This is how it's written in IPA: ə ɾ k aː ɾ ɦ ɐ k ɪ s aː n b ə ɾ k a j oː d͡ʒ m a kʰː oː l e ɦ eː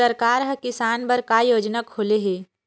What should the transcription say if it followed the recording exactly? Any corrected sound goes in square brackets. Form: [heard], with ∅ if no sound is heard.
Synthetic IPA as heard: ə ɾ k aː ɾ ɦ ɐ k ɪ s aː n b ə ɾ k a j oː d͡ʒ [n] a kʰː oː l e ɦ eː

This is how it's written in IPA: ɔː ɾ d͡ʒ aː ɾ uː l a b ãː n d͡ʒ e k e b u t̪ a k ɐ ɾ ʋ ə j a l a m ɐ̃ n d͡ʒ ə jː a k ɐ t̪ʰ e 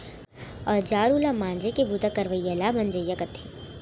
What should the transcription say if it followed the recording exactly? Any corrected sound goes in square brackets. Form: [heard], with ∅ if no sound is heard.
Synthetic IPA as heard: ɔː ɾ d͡ʒ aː ɾ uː l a [m] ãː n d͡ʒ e k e b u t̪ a k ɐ ɾ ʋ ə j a l a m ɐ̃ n d͡ʒ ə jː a k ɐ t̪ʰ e

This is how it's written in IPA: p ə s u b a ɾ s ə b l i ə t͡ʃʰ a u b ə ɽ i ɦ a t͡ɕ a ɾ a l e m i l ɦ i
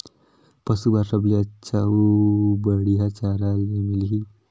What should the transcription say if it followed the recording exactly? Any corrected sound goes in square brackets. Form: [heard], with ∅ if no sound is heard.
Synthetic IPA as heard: p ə s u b a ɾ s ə b l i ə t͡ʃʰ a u b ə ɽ i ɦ a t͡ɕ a ɾ a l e m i l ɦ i

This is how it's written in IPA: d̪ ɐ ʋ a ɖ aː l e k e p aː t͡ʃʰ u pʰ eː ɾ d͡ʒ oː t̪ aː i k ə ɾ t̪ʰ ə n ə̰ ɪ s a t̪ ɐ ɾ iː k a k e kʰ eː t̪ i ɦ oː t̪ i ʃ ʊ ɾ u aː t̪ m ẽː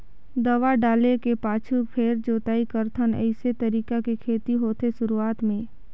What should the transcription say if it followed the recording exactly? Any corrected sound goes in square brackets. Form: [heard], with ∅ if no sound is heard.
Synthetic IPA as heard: d̪ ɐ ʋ a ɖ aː l e k e p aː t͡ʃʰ u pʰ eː ɾ d͡ʒ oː t̪ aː i k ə ɾ t̪ʰ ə n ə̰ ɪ s [e] t̪ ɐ ɾ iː k a k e kʰ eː t̪ i ɦ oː t̪ [e] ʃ ʊ ɾ u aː t̪ m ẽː

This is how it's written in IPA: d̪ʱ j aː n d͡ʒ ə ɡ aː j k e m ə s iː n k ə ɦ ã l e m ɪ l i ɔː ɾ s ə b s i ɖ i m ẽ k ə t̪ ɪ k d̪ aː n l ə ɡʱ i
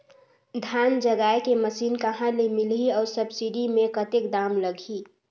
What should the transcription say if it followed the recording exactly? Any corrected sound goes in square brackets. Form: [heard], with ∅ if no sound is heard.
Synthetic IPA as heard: d̪ʱ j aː n d͡ʒ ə ɡ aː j k e m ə s iː n k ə ɦ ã l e m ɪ l i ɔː ɾ s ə b s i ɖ i m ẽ k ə t̪ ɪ k d̪ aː [m] l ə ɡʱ i

